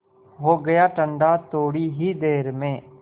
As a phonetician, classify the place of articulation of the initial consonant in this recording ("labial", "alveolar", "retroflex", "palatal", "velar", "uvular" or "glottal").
glottal